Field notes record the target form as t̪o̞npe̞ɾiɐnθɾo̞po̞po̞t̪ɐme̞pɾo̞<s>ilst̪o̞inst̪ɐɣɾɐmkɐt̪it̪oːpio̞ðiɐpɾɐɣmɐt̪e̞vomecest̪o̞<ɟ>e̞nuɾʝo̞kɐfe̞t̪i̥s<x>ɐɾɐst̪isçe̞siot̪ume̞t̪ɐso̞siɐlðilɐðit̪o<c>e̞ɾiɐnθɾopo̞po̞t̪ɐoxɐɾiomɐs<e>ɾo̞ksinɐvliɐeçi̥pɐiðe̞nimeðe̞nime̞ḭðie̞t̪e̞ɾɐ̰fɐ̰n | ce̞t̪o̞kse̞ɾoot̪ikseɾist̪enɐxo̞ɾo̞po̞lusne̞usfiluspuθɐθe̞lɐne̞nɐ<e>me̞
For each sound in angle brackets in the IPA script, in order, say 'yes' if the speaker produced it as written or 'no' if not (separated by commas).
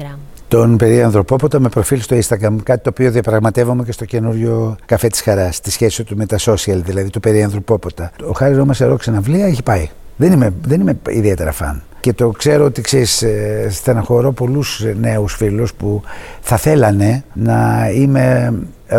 no, no, yes, no, yes, no